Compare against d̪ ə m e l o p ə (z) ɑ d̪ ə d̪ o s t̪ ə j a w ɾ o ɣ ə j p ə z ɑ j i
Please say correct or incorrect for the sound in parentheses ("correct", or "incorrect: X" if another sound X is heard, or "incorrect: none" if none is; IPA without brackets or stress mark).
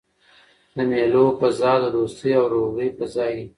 correct